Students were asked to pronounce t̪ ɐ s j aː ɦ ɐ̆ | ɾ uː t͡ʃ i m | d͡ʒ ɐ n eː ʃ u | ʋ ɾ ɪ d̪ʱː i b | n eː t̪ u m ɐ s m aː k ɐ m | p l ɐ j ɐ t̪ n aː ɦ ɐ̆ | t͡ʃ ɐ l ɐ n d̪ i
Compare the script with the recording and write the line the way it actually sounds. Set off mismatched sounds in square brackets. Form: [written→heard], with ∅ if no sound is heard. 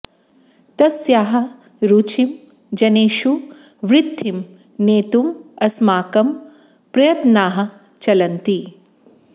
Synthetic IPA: t̪ ɐ s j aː ɦ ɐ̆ | ɾ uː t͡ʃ i m | d͡ʒ ɐ n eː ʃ u | ʋ ɾ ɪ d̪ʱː i [b→m] | n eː t̪ u m ɐ s m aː k ɐ m | p [l→ɾ] ɐ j ɐ t̪ n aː ɦ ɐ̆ | t͡ʃ ɐ l ɐ n [d̪→t̪] i